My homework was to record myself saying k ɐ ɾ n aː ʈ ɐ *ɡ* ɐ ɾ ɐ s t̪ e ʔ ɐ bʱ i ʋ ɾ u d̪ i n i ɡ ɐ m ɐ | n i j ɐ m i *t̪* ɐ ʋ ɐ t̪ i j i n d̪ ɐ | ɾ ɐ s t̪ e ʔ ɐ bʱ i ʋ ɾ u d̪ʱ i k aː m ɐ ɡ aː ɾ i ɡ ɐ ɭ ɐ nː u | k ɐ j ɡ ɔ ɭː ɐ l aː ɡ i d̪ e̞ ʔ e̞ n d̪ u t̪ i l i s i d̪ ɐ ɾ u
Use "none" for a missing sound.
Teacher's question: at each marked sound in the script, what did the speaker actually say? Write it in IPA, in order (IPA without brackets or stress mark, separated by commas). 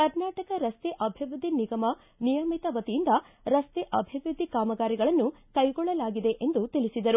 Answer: k, t̪